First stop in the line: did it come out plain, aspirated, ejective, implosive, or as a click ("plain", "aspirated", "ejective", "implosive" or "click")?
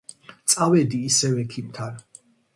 plain